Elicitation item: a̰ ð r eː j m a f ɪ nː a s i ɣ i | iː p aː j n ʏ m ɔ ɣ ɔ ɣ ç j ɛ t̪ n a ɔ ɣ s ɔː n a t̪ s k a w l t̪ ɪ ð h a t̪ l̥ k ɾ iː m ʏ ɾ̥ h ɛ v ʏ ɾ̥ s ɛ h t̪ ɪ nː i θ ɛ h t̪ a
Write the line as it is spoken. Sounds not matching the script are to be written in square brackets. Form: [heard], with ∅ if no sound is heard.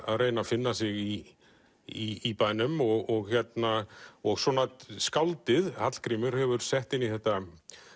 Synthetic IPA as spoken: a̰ ð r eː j [n] a f ɪ nː a s [ɪ] ɣ i | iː p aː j n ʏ m ɔ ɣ ɔ ɣ ç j ɛ t̪ n a ɔ ɣ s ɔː n a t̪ s k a w l t̪ ɪ ð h a t̪ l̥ k ɾ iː m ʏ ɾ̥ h ɛ v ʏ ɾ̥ s ɛ h t̪ ɪ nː i θ ɛ h t̪ a